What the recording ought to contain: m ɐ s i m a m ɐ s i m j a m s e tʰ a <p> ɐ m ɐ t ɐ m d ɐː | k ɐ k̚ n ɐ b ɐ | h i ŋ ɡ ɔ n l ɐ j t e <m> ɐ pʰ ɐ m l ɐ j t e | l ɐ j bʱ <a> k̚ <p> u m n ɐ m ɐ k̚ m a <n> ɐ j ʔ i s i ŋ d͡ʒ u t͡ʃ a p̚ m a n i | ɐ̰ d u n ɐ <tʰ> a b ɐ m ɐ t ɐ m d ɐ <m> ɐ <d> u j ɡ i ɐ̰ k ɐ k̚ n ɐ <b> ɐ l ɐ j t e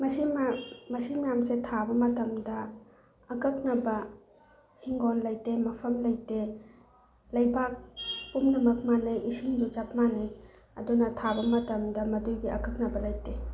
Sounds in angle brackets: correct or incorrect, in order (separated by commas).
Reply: incorrect, correct, correct, correct, correct, correct, correct, correct, correct